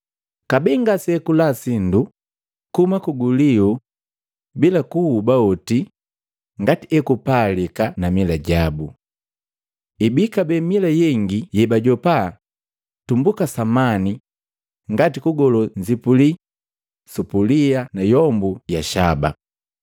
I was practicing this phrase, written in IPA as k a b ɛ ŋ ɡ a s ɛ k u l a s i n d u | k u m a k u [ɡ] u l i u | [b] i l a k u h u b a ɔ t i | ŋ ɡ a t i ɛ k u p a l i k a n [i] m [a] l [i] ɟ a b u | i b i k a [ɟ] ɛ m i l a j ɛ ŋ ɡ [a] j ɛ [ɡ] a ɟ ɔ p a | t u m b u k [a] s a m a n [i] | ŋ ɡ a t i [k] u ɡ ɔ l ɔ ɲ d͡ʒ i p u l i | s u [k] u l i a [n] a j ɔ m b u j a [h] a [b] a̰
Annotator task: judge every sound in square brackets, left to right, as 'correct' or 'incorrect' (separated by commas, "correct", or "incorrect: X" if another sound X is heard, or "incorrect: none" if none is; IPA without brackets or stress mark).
correct, correct, incorrect: a, incorrect: i, incorrect: a, incorrect: b, incorrect: i, incorrect: b, correct, correct, correct, incorrect: p, correct, incorrect: ʃ, correct